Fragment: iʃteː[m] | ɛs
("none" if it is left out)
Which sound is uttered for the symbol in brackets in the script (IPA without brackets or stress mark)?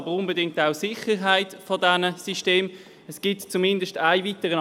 m